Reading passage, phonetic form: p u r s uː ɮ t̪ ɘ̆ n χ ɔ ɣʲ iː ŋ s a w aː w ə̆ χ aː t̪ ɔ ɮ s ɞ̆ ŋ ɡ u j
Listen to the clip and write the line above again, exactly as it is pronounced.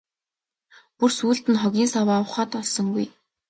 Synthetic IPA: p u r s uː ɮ t̪ ɘ̆ n χ ɔ ɣʲ iː n s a w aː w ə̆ χ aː t̪ ɔ ɮ s ɞ̆ ŋ ɡ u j